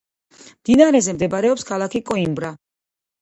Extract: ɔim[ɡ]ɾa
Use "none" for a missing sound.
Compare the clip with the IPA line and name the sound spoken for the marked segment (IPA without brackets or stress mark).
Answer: b